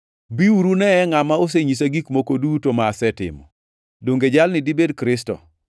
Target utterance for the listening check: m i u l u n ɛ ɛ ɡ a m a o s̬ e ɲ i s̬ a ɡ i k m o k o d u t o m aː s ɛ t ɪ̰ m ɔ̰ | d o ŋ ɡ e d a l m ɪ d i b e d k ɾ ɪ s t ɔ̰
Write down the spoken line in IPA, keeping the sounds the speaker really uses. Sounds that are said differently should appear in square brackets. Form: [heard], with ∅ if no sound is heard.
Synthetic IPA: [b] i u [ɾ] u n ɛ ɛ [ŋ] a m a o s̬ e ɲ i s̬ a ɡ i k m o k o d u t o m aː s ɛ t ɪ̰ m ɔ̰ | d o ŋ ɡ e [d͡ʒ] a l [n] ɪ d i b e d k ɾ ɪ s t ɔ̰